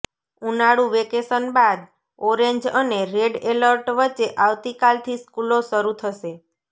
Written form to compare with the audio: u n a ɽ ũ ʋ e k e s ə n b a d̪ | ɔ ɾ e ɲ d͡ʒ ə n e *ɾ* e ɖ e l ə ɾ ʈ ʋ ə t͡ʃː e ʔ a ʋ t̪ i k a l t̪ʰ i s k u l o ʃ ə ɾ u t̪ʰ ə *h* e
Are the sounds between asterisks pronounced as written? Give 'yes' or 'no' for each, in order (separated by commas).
yes, no